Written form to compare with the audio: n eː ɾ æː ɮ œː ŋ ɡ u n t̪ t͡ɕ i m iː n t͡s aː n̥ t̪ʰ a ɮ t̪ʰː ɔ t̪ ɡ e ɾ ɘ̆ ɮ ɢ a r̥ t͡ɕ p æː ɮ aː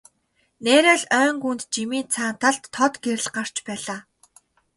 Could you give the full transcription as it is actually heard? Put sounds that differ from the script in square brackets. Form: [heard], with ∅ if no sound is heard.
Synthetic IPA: n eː ɾ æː ɮ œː ŋ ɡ u n t̪ t͡ɕ i m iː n [t͡sʰ] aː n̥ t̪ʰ a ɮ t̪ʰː ɔ t̪ ɡ e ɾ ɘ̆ ɮ ɢ a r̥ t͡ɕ p æː ɮ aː